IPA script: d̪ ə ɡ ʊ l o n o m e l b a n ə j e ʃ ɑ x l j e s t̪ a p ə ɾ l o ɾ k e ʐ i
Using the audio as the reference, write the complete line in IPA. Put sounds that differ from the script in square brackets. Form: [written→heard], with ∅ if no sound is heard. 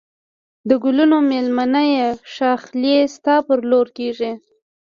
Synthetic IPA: d̪ ə ɡ ʊ l [o→u] n o m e l [b→m] a n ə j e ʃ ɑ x l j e s t̪ [a→ɑ] p ə ɾ l o ɾ k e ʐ i